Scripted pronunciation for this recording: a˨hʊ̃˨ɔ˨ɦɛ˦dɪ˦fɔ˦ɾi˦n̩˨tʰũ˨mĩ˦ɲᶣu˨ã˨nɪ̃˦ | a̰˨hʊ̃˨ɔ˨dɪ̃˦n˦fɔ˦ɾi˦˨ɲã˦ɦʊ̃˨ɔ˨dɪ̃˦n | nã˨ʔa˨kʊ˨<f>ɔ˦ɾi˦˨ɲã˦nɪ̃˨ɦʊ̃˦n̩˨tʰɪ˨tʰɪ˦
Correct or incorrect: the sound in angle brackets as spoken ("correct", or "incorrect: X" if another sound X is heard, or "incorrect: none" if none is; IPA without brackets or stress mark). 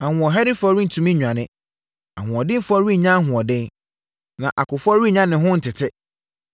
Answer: correct